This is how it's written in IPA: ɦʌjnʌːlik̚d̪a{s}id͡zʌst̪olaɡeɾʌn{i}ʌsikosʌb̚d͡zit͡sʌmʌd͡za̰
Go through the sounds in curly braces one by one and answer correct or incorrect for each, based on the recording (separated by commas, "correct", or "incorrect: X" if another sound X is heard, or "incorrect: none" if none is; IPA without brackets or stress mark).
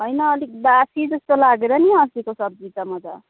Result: correct, correct